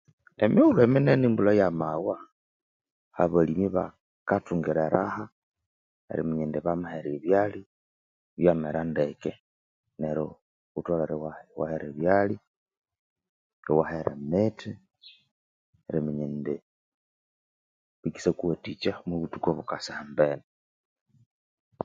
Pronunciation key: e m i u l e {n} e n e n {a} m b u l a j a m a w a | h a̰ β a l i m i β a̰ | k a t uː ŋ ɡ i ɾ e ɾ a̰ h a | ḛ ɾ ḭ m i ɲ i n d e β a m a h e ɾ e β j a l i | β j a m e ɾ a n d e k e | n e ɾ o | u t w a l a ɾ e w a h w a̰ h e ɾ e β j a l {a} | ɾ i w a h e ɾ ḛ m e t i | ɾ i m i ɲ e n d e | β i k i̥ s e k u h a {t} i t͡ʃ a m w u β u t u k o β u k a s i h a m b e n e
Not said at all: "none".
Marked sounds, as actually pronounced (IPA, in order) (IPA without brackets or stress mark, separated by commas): m, i, i, t